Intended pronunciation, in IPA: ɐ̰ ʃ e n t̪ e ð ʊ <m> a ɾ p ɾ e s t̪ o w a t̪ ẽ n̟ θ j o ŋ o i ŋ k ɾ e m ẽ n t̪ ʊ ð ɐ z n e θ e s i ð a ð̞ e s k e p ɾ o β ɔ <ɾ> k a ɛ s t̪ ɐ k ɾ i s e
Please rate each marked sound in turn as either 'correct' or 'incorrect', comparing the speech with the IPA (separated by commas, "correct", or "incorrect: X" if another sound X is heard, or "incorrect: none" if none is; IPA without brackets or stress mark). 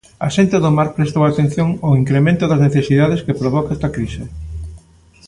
correct, incorrect: none